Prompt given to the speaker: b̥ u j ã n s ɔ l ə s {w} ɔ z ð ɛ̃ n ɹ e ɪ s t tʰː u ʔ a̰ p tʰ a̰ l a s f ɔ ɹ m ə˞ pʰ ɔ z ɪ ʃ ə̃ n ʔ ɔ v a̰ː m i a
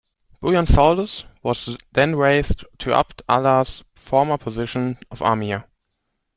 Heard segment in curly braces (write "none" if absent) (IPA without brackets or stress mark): w